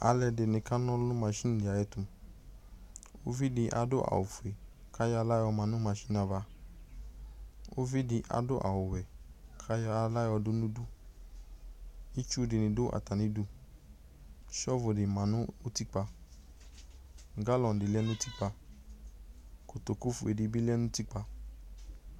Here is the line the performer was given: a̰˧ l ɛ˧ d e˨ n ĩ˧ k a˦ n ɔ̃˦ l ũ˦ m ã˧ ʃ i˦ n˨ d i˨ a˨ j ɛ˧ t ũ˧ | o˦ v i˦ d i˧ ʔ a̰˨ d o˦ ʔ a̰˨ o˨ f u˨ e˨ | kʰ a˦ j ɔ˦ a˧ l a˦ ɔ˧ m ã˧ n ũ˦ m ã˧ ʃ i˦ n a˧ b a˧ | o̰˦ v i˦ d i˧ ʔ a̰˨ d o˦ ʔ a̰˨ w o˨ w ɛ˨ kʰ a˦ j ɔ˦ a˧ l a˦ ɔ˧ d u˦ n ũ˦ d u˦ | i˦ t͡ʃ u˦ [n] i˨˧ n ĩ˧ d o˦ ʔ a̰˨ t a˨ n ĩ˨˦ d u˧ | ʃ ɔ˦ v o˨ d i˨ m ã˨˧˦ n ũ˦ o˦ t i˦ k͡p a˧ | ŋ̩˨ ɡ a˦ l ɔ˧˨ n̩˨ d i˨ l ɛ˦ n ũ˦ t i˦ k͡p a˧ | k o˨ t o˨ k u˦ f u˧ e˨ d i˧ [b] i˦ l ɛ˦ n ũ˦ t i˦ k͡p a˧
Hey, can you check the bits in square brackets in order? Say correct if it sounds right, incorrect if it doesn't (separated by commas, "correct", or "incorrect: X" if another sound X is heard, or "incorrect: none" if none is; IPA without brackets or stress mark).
incorrect: d, correct